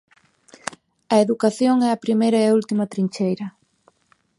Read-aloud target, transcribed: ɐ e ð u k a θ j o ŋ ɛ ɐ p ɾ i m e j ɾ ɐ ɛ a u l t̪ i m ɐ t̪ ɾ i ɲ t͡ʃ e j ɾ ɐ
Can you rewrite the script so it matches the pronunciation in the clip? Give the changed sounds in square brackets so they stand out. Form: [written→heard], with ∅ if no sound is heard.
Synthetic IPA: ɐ e ð u k a θ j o ŋ ɛ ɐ p ɾ i m e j ɾ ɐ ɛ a u l t̪ i m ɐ t̪ ɾ i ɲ t͡ʃ e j ɾ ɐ